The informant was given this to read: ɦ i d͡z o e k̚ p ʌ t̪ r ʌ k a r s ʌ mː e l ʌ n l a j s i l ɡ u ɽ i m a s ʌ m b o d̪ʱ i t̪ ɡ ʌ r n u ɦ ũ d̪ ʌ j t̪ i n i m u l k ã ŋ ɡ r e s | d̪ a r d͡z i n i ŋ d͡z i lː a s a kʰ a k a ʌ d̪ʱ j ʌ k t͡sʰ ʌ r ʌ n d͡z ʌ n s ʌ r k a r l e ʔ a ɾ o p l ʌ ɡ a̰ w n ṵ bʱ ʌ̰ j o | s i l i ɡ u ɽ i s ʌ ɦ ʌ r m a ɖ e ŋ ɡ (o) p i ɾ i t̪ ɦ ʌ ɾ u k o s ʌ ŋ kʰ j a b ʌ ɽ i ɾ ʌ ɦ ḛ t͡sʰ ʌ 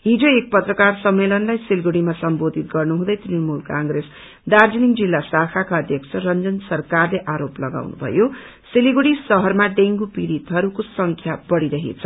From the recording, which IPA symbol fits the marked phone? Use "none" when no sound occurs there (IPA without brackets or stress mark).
u